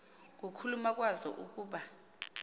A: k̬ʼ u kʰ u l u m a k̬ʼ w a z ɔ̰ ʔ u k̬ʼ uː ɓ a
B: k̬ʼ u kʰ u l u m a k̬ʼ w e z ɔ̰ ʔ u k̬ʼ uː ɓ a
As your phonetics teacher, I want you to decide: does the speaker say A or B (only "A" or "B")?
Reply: A